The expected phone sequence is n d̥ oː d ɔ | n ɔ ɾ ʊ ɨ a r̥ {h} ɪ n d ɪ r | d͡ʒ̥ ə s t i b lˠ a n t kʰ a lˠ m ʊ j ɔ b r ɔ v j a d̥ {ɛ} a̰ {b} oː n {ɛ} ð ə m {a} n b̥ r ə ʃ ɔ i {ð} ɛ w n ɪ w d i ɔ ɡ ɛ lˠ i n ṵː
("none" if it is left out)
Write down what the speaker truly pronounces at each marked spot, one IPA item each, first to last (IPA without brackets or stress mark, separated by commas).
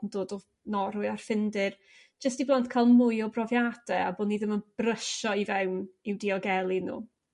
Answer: f, ɛ, b, i, ə, v